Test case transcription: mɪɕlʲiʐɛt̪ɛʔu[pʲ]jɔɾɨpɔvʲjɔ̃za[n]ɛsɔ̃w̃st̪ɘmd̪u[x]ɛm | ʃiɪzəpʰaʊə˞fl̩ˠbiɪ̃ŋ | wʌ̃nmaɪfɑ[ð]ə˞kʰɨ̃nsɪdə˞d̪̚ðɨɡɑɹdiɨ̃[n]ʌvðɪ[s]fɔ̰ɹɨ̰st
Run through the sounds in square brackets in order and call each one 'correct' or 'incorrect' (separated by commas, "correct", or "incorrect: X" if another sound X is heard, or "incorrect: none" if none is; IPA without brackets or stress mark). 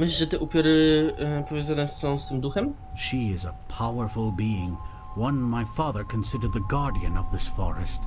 correct, correct, correct, correct, correct, correct